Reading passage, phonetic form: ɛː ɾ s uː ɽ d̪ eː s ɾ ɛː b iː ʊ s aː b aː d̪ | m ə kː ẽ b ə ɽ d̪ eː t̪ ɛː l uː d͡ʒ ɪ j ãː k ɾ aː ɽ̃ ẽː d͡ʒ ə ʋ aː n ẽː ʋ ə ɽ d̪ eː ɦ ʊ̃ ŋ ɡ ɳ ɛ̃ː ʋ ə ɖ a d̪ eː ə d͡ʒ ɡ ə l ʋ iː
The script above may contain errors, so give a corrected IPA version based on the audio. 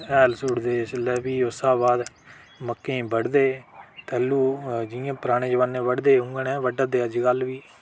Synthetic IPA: ɛː l s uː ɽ d̪ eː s l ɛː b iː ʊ s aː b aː d̪ | m ə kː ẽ b ə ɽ d̪ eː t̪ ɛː l uː d͡ʒ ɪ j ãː p ɾ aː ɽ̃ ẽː d͡ʒ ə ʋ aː n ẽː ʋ ə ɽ d̪ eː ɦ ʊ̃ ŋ ɡ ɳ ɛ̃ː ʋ ə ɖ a d̪ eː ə d͡ʒ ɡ ə l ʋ iː